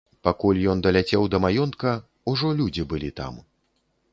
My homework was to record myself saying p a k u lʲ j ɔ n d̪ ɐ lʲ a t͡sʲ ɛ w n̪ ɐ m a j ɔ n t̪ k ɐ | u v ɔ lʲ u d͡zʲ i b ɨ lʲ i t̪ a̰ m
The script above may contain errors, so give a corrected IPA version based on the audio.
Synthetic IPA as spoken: p a k u lʲ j ɔ n d̪ ɐ lʲ a t͡sʲ ɛ w d̪ ɐ m a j ɔ n t̪ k ɐ | u ʐ ɔ lʲ u d͡zʲ i b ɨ lʲ i t̪ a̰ m